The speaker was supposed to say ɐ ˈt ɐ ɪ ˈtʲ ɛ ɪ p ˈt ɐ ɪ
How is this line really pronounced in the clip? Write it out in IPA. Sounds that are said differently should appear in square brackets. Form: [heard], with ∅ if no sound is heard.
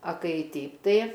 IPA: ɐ [ˈk] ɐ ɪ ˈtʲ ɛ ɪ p ˈt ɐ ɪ